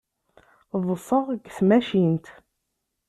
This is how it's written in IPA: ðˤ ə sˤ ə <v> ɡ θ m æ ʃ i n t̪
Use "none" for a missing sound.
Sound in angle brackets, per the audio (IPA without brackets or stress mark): ʁ